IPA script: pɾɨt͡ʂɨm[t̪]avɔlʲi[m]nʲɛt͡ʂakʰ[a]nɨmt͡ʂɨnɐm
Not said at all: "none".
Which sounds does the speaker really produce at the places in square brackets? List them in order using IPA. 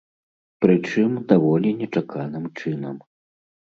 d̪, none, a

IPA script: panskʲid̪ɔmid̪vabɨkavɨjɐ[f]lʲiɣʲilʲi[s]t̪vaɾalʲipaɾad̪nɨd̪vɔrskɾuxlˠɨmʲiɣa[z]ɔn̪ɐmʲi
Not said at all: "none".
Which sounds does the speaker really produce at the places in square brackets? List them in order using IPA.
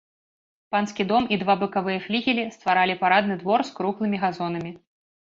f, s, z

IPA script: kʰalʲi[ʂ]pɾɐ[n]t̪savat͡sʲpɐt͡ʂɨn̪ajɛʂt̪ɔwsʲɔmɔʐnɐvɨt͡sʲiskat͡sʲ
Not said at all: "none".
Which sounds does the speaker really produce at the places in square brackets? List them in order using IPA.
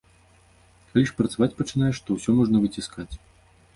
ʂ, none

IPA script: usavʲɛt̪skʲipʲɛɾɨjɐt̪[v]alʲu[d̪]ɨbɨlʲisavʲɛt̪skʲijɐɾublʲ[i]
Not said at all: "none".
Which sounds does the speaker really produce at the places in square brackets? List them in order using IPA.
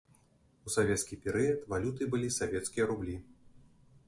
v, t̪, i

